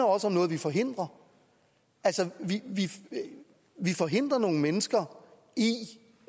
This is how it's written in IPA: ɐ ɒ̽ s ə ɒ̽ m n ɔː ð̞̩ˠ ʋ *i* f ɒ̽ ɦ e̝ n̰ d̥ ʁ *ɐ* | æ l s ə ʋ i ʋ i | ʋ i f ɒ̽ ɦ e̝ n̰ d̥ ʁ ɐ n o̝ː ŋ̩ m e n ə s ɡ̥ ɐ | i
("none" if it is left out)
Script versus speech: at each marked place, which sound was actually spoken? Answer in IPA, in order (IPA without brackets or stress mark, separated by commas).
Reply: i, ɐ